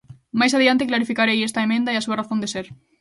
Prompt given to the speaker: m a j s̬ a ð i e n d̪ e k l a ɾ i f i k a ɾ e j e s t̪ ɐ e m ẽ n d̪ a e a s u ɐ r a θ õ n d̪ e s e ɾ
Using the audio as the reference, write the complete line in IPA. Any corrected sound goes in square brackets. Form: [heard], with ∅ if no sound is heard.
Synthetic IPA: m a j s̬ a ð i [a] n [t̪] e k l a ɾ i f i k a ɾ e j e s t̪ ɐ e m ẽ n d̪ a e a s u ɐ r a θ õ n d̪ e s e ɾ